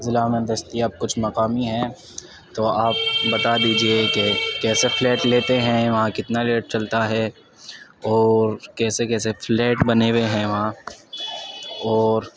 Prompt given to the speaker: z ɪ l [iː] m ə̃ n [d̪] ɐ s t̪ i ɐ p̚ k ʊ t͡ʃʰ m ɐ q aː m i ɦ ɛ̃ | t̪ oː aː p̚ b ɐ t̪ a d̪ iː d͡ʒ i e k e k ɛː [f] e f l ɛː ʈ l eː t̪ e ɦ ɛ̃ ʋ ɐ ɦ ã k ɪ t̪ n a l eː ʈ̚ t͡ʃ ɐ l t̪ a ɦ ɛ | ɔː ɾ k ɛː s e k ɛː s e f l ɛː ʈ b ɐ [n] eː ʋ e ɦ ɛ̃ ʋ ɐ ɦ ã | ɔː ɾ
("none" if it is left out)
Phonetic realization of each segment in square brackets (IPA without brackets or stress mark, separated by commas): aː, d̪, s, n